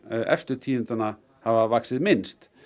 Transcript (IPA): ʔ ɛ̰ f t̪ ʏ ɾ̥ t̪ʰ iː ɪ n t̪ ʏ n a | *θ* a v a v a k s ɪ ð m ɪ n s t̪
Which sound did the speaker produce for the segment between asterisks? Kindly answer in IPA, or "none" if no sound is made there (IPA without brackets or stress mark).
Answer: h